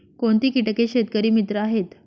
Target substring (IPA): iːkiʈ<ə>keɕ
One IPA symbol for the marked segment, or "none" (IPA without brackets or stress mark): ə